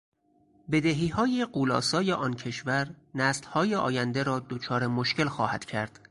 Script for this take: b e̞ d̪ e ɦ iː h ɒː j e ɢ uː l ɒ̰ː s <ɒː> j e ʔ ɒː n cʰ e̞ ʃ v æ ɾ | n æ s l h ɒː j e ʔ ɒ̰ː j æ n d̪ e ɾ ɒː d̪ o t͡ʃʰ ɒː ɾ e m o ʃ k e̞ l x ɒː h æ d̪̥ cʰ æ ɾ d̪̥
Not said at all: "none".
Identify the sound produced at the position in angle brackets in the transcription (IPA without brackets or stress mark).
ɒː